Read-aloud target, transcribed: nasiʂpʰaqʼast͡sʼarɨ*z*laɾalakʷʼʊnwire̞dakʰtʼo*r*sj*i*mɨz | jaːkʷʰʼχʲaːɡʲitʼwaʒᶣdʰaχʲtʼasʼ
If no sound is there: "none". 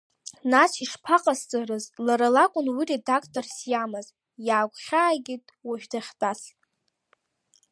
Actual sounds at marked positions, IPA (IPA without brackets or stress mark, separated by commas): z, r, a